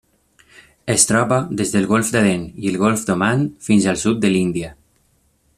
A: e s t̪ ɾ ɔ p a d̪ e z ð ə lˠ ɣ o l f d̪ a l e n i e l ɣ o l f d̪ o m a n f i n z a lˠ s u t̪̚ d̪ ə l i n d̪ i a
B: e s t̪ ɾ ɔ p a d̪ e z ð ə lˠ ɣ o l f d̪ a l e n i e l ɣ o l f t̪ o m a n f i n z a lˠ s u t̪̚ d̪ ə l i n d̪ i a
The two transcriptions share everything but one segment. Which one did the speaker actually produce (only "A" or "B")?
A